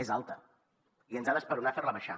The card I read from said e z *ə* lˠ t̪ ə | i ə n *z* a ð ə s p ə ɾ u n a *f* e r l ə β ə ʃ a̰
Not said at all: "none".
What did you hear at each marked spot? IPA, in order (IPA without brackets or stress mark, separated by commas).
a, z, f